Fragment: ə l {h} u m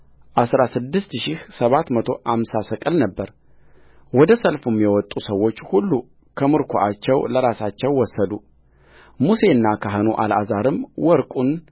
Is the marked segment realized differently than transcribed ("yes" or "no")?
yes